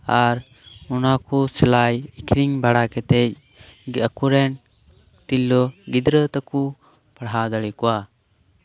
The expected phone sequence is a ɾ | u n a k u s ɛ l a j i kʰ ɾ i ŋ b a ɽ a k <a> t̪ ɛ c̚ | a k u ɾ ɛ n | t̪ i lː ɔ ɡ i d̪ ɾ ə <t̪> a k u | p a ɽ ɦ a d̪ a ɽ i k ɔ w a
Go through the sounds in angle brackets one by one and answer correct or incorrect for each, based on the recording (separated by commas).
incorrect, correct